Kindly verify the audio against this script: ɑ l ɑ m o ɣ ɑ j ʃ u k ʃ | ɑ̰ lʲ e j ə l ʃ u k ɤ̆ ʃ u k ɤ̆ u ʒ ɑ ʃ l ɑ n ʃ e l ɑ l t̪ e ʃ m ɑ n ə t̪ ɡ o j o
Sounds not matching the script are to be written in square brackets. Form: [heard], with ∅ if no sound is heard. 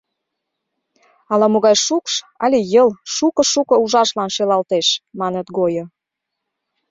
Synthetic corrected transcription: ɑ l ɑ m o ɣ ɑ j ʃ u k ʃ | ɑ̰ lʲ e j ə l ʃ u k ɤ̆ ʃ u k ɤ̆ u ʒ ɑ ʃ l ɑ n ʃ e l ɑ l t̪ e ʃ m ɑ n ə t̪ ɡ o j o